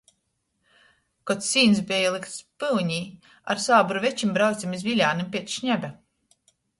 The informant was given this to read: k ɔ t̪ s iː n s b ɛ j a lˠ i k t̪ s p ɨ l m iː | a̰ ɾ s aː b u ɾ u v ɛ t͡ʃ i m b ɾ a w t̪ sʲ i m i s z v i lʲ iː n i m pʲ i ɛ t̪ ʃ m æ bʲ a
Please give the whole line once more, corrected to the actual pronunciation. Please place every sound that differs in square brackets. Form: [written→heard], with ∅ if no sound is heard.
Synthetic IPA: k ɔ t̪ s iː n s b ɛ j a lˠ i k t̪ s p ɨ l [m→ɲ] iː | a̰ ɾ s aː b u ɾ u v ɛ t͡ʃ i m b ɾ a w t̪ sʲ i m i [s→∅] z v i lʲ [iː→aː] n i m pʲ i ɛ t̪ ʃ [m→ɲ] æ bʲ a